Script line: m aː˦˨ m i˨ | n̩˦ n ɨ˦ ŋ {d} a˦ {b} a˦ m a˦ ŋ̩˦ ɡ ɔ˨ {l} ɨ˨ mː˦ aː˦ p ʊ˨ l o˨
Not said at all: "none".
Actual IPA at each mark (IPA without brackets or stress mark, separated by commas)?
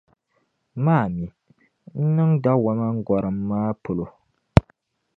d, w, ɾ